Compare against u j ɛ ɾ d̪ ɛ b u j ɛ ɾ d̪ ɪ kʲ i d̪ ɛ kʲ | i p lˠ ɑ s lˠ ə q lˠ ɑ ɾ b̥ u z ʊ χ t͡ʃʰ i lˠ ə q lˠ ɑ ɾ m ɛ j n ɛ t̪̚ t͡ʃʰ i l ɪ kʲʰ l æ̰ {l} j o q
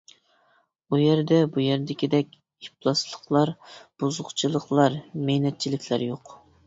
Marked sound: incorrect: ɾ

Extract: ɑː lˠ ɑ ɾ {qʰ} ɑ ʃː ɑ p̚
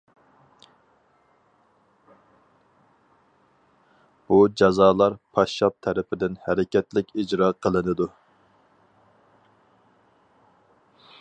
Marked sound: incorrect: pʰ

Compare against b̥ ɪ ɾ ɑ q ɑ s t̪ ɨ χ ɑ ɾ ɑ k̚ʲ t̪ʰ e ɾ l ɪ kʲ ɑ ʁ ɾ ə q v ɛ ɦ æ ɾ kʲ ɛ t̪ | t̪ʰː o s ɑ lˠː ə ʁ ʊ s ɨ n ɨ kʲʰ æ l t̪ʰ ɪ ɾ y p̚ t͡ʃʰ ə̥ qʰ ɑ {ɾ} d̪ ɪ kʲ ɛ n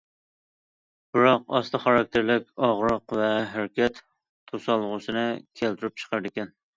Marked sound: correct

